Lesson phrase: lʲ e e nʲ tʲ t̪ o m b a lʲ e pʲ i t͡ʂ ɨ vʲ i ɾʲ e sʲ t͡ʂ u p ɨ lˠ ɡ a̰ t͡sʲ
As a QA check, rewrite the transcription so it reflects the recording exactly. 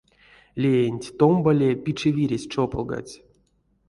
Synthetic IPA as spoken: lʲ e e nʲ tʲ t̪ o m b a lʲ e pʲ i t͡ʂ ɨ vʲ i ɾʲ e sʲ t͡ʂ o p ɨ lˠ ɡ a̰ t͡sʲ